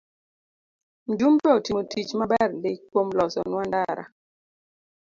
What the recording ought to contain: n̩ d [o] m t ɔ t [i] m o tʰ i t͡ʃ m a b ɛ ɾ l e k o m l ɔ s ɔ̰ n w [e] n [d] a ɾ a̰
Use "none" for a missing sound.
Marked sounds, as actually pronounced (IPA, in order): u, i, a, d

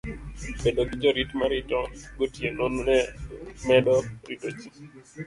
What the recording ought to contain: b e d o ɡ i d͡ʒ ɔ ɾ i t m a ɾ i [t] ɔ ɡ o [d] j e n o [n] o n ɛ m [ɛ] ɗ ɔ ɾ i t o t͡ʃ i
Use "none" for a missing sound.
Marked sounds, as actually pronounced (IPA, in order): t, t, n, ɛ

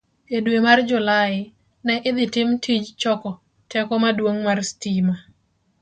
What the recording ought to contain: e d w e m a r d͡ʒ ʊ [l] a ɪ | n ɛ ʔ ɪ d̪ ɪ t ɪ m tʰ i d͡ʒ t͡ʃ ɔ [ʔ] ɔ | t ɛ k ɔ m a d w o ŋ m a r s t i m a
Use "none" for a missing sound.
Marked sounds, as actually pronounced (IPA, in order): l, k

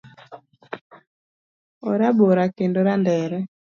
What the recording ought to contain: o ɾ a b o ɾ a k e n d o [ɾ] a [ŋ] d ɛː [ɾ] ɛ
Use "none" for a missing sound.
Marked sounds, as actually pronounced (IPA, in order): ɾ, n, ɾ

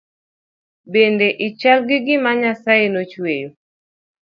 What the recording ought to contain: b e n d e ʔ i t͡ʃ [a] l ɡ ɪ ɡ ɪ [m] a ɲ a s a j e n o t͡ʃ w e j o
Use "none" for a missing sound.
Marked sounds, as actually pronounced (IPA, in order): a, m

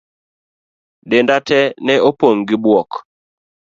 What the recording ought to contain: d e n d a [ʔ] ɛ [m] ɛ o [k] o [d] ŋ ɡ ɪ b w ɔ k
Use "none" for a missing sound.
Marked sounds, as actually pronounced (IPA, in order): t, n, p, none

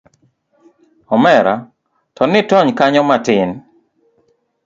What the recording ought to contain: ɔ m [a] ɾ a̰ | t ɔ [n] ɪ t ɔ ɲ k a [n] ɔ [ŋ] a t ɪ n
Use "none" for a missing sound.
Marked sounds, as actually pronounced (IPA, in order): ɛ, n, ɲ, m

